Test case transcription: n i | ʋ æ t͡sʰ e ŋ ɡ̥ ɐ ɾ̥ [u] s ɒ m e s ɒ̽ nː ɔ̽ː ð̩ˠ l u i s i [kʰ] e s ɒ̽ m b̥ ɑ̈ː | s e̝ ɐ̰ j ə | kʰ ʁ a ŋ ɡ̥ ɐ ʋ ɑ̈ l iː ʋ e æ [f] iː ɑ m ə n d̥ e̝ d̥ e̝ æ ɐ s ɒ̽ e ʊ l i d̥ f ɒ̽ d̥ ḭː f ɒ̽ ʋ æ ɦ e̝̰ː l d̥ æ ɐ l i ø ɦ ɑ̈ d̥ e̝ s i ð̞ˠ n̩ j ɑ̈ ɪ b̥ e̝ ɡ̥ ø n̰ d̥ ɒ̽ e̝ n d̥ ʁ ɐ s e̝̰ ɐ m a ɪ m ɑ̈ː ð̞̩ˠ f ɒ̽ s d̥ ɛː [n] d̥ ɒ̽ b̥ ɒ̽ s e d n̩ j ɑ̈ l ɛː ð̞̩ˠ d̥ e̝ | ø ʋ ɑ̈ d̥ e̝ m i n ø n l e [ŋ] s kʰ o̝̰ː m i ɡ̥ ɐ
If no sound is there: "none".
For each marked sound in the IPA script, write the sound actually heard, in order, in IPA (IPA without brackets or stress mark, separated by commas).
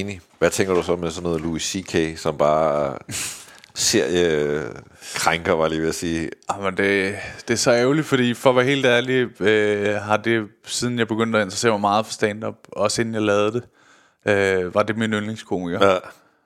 u, kʰ, s, n, ŋ